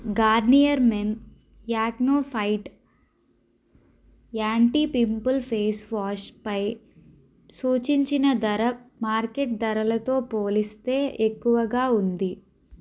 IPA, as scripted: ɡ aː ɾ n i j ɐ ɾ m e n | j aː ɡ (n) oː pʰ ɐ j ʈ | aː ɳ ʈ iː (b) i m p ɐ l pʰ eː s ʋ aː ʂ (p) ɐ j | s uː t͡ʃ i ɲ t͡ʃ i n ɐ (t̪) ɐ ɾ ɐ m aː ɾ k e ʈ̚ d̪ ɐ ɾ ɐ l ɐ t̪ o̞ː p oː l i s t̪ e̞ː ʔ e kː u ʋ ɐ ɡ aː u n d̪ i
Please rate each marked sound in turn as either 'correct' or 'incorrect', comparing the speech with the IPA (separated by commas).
correct, incorrect, correct, incorrect